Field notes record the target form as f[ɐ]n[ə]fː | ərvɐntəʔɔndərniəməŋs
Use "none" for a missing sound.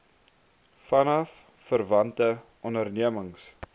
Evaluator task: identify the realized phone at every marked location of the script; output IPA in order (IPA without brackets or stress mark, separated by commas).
ɐ, ɐ